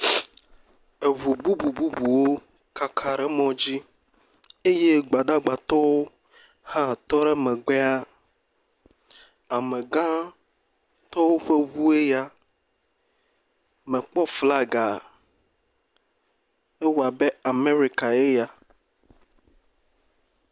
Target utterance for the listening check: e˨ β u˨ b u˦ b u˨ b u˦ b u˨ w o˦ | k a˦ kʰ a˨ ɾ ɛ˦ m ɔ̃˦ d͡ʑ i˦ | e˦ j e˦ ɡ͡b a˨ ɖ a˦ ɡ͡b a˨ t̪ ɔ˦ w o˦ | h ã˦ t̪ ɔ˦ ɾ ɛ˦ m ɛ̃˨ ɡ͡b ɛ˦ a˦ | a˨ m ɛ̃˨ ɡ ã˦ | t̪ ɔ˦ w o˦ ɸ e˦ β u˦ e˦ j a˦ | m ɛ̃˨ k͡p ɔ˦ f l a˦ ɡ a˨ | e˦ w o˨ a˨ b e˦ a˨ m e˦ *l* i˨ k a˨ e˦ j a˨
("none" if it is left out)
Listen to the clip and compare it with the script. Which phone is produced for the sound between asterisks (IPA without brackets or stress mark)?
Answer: ɾ